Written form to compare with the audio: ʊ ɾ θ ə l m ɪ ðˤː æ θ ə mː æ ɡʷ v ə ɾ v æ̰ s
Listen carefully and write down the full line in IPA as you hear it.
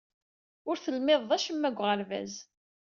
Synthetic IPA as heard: ʊ ɾ θ ə l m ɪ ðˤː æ ʃ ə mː æ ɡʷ ʁ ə ɾ v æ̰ z